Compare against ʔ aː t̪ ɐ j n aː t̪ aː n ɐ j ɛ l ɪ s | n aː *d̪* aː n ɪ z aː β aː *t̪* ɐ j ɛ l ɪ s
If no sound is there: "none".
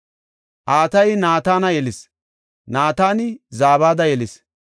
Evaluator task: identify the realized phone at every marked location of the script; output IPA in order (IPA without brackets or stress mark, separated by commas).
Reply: t̪, d̪